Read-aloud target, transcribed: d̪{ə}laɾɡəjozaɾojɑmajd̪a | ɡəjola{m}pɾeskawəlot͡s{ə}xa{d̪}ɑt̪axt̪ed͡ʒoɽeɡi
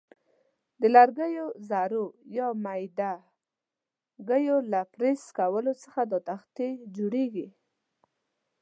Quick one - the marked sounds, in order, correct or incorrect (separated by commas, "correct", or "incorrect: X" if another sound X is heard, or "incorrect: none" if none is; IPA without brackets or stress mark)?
correct, incorrect: none, correct, correct